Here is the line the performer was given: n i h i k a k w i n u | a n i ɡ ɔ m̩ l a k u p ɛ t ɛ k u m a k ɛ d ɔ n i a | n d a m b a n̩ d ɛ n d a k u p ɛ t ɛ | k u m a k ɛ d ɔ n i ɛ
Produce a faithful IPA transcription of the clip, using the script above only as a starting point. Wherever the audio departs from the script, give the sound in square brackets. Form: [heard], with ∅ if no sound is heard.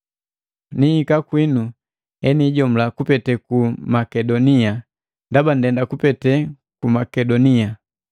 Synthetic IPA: n i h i k a k w i n u | [ɛ] n i [ɟ] ɔ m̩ l a k u p ɛ t ɛ k u m a k ɛ d ɔ n i a | n d a [∅] b a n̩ d ɛ n d a k u p ɛ t ɛ | k u m a k ɛ d ɔ n i [a]

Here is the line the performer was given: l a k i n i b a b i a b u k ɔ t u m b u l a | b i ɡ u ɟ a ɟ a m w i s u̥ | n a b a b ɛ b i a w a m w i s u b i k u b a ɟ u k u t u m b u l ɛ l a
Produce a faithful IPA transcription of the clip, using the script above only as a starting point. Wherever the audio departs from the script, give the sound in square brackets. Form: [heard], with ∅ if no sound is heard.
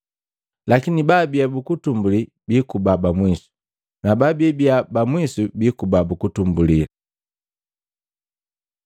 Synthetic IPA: l a k i n i b a b i a b u k [u] t u m b u l [i] | b i [k] u [b] a [b] a m w i s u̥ | n a b a b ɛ b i a [b] a m w i s u b i k u b a [b] u k u t u m b u l [i] l a

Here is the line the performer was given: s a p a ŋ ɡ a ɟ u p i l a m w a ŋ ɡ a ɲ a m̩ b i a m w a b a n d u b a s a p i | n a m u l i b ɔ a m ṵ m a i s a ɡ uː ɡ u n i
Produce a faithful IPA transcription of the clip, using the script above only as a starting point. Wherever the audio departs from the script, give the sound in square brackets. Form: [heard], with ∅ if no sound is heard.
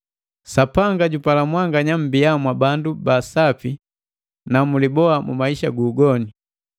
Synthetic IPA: s a p a ŋ ɡ a ɟ u p [a] l a m w a ŋ ɡ a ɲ a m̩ b i a m w a b a n d u b a s a p i | n a m u l i b ɔ a m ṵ m a i [ʃ] a ɡ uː ɡ [ɔ] n i

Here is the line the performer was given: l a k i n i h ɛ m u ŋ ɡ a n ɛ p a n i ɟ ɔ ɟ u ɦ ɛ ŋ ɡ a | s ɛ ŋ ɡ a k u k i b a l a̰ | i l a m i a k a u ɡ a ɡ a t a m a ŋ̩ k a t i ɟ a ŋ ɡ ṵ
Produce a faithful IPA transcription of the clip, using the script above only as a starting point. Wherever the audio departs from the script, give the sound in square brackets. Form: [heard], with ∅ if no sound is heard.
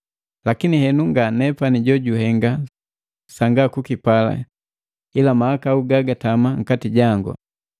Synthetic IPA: l a k i n i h ɛ [n] u ŋ ɡ a n ɛ p a n i ɟ ɔ ɟ u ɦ ɛ ŋ ɡ a | s [a] ŋ ɡ a k u k i [p] a l a̰ | i l a m [a] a k a u ɡ a ɡ a t a m a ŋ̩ k a t i ɟ a ŋ ɡ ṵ

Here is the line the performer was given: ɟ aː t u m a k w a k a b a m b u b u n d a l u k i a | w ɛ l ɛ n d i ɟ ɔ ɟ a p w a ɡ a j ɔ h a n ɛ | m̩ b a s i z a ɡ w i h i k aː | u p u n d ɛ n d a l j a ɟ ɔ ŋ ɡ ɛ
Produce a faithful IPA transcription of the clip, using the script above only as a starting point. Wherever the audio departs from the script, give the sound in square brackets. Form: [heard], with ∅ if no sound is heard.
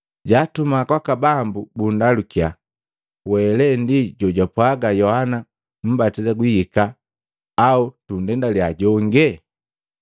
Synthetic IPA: ɟ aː t u m a k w a k a b a m b u b u n d a l u k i a | w ɛ l ɛ n d i ɟ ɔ ɟ a p w a ɡ a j ɔ h a n [a] | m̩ b a [t] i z a ɡ w i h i k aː | u [t] u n d ɛ n d a l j a ɟ ɔ ŋ ɡ ɛ

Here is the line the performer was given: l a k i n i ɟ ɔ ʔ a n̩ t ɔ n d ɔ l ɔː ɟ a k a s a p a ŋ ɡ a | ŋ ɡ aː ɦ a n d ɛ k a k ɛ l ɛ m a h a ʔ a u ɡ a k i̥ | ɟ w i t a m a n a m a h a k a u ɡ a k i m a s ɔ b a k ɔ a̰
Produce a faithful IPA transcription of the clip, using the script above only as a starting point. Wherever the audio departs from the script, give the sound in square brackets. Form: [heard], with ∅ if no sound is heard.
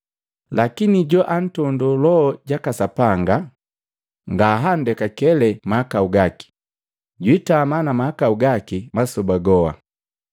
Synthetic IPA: l a k i n i ɟ ɔ ʔ a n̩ t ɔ n d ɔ l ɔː ɟ a k a s a p a ŋ ɡ a | ŋ ɡ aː ɦ a n d ɛ k a k ɛ l ɛ m a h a [k] a u ɡ a k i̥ | ɟ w i t a m a n a m a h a k a u ɡ a k i m a s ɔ b a [ɡ] ɔ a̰

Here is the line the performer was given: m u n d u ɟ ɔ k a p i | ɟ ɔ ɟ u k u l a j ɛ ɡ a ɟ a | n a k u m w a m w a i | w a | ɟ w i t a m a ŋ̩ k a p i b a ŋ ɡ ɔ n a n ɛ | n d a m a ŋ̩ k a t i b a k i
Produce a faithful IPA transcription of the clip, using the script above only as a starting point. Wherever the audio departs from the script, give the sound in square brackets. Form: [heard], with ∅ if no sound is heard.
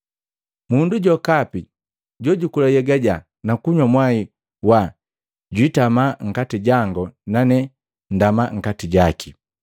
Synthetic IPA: m u n d u ɟ ɔ k a p i | ɟ ɔ ɟ u k u l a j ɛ ɡ a ɟ a | n a k u [ɲ] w a m w a i | w a | ɟ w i t a m a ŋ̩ k a [t] i [ɟ] a ŋ ɡ ɔ n a n ɛ | n d a m a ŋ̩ k a t i [ɟ] a k i

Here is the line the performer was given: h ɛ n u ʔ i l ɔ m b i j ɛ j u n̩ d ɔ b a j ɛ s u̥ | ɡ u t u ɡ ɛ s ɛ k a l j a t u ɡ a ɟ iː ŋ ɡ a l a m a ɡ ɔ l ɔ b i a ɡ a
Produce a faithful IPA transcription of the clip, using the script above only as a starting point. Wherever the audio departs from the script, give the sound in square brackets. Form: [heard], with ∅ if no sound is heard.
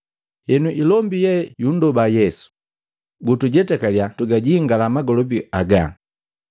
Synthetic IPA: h ɛ n u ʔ i l ɔ m b i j ɛ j u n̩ d ɔ b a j ɛ s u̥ | ɡ u t u [ɟ] ɛ [t] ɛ k a l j a t u ɡ a ɟ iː ŋ ɡ a l a m a ɡ ɔ l ɔ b i a ɡ a

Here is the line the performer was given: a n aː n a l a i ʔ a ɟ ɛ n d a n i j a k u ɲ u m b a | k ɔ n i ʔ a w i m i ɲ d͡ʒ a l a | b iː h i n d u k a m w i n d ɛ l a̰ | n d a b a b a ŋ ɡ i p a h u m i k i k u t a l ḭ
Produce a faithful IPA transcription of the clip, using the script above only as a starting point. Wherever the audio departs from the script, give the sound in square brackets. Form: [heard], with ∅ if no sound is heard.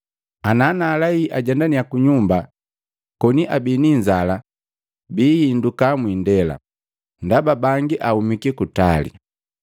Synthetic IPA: a n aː n a l a i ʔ a ɟ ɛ n d a n i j a k u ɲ u m b a | k ɔ n i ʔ a [b] i [n] i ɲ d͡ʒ a l a | b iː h i n d u k a m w i n d ɛ l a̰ | n d a b a b a ŋ ɡ i [ʔ] a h u m i k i k u t a l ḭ

